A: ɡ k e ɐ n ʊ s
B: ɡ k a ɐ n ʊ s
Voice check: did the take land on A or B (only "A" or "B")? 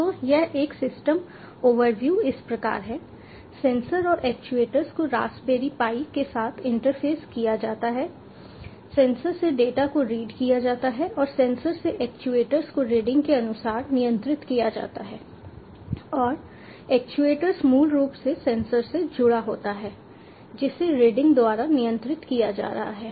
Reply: A